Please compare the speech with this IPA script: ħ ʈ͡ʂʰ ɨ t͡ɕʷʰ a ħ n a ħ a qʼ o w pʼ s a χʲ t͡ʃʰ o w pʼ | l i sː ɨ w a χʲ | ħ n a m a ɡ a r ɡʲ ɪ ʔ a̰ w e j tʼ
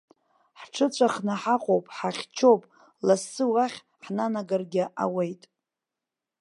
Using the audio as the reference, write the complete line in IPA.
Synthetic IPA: ħ ʈ͡ʂʰ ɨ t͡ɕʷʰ a χ n a ħ a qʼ o w pʼ ħ a χʲ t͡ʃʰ o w pʼ | l a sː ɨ w a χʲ | ħ n a n a ɡ a r ɡʲ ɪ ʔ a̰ w e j tʼ

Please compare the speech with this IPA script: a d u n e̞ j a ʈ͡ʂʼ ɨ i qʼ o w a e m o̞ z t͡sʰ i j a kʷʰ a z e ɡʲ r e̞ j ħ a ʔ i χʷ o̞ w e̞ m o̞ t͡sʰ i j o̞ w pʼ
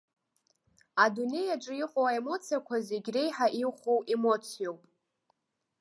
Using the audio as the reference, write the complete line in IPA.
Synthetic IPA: a d u n e̞ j a ʈ͡ʂʼ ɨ i qʼ o w a e m o̞ t͡sʰ i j a kʷʰ a z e ɡʲ r e̞ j ħ a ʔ i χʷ o̞ w e̞ m o̞ t͡sʰ i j o̞ w pʼ

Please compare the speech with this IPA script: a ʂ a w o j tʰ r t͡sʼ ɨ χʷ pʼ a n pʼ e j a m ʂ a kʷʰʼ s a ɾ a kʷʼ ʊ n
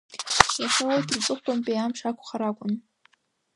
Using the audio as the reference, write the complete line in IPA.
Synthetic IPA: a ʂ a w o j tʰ r t͡sʼ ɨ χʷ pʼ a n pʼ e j a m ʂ a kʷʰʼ χ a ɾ a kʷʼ ʊ n

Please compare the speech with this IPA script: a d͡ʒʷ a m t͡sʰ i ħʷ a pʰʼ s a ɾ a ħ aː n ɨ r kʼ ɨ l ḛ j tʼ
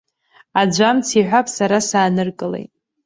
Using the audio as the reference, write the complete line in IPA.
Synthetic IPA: a d͡ʒʷ a m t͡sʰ i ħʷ a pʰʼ s a ɾ a s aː n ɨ r kʼ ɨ l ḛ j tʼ

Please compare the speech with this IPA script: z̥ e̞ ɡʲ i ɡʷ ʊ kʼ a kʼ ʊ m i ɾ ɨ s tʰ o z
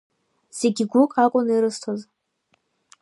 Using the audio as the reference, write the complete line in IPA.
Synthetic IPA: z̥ e̞ ɡʲ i ɡʷ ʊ kʼ a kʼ ʊ n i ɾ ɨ s tʰ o z

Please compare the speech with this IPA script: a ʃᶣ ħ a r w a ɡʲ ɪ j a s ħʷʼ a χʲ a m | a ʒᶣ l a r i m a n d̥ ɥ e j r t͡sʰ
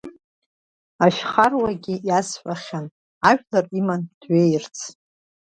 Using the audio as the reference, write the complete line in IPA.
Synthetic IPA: a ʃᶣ χ a r w a ɡʲ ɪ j a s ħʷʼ a χʲ a n | a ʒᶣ l a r i m a n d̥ ɥ e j r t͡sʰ

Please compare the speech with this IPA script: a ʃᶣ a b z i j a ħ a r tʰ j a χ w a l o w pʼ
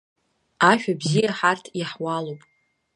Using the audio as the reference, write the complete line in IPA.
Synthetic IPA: a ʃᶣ a b z i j a ħ a r tʰ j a ħ w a l o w pʼ

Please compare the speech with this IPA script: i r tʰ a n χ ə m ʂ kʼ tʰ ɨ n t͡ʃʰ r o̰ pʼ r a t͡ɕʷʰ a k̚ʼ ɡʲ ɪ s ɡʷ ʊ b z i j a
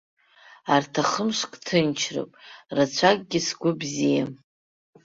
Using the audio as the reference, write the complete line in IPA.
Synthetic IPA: a r tʰ a χ ə m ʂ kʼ tʰ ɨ n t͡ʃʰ r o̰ pʼ r a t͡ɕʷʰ a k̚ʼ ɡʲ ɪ s ɡʷ ʊ b z i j a

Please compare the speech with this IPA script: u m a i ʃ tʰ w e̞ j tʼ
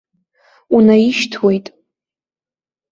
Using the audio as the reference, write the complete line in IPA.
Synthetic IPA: u n a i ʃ tʰ w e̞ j tʼ

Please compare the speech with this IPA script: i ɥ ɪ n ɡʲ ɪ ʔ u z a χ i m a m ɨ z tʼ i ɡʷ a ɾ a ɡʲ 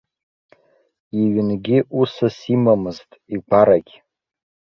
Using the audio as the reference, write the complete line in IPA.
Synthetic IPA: i ɥ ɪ n ɡʲ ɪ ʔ u s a s i m a m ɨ z tʼ i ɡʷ a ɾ a ɡʲ

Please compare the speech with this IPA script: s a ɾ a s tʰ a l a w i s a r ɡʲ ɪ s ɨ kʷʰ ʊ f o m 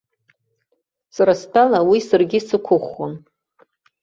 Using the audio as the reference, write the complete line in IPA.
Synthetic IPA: s a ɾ a s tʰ a l a w i s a r ɡʲ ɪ s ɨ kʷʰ ʊ χ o n

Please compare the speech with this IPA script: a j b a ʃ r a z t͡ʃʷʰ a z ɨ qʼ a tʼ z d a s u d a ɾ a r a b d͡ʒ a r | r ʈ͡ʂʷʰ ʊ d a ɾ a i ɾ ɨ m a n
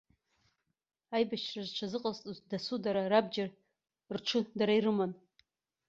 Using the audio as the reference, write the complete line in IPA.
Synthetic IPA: a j b a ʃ r a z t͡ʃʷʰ a z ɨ qʼ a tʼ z d a s u d a ɾ a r a b d͡ʒ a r | r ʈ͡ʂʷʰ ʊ d a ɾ a i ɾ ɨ m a n

